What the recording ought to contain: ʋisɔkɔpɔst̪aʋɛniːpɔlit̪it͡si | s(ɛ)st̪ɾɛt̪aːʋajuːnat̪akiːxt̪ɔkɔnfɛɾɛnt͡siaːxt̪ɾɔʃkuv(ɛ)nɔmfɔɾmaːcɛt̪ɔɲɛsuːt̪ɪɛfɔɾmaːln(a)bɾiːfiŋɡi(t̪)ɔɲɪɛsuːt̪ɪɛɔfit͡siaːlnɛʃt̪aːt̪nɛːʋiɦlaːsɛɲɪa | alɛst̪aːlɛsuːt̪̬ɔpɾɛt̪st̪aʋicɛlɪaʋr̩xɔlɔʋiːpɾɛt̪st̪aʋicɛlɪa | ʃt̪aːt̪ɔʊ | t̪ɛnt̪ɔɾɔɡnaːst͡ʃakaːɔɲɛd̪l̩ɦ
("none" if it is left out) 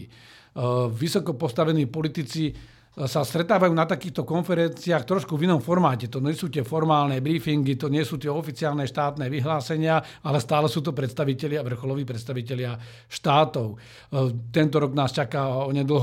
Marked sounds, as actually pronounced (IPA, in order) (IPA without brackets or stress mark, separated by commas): a, i, ɛ, t̪